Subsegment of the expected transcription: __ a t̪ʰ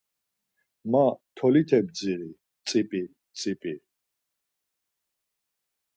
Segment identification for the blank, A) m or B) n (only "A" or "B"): A